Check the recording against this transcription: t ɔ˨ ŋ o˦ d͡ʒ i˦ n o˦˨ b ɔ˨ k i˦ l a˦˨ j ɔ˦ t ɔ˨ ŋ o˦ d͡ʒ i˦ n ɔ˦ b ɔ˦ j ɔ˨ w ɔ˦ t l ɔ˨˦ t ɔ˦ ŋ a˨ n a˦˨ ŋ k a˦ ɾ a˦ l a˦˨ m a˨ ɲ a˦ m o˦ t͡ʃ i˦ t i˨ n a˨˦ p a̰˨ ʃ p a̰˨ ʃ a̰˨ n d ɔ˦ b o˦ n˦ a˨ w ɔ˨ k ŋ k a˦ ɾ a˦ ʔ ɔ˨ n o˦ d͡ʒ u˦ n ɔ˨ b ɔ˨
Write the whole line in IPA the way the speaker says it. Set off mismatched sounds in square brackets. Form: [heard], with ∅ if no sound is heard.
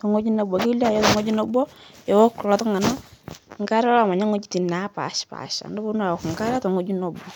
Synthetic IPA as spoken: t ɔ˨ ŋ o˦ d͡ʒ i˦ n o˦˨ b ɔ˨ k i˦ l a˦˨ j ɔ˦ t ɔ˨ ŋ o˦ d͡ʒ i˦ n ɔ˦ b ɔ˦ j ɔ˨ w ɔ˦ [k] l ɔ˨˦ t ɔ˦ ŋ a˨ n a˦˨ ŋ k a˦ ɾ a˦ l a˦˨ m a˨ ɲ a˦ [ŋ] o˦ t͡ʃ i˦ t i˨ n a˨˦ p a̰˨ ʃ p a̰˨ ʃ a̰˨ n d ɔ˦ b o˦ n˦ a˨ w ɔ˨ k ŋ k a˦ ɾ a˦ [t] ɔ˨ [ŋ] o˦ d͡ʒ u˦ n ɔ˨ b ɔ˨